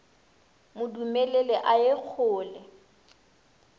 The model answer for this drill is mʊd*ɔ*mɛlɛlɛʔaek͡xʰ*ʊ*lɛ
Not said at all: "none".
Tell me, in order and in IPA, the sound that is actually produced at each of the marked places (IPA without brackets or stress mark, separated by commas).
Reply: u, ʊː